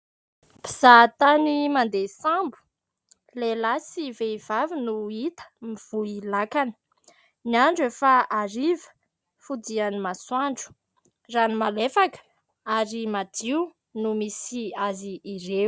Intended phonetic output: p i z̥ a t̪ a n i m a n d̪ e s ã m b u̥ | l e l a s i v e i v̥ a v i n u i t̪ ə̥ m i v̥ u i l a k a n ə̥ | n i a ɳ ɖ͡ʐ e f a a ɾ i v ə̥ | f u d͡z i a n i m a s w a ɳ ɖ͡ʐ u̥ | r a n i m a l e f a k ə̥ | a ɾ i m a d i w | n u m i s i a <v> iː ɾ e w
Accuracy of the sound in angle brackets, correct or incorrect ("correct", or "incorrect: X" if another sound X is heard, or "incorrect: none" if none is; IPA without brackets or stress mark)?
incorrect: z